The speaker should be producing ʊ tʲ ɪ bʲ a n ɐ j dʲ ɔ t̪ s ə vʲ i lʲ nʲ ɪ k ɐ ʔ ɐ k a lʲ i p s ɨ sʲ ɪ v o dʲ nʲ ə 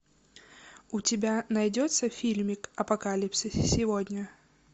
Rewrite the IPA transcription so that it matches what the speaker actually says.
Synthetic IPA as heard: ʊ tʲ ɪ bʲ a n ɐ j dʲ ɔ t̪ s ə fʲ i lʲ mʲ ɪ k ɐ p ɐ k a lʲ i p s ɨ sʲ ɪ v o dʲ nʲ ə